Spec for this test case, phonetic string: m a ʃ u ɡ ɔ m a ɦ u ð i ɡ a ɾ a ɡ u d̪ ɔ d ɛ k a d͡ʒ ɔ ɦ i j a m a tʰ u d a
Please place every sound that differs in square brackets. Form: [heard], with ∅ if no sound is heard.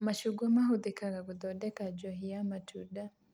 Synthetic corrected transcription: m a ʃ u ɡ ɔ m a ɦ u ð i [k] a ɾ a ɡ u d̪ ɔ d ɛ k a d͡ʒ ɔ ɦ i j a m a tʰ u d a